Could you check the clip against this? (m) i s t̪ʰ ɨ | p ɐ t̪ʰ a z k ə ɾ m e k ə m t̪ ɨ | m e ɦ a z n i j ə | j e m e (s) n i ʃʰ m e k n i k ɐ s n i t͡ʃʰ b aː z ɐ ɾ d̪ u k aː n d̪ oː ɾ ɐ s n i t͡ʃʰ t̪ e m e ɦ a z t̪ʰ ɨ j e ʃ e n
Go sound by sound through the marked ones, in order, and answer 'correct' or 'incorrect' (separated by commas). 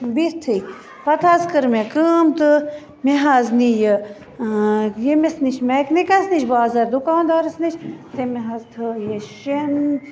incorrect, correct